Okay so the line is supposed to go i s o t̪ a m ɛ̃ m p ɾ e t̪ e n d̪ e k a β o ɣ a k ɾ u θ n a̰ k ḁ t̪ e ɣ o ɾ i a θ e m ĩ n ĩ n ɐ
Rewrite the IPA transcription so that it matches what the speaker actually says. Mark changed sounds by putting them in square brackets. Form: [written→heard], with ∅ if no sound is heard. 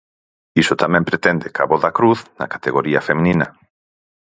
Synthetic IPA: i s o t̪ a m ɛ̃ m p ɾ e t̪ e n d̪ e k a β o [ɣ→ð] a k ɾ u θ n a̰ k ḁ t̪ e ɣ o ɾ i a [θ→f] e m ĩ n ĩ n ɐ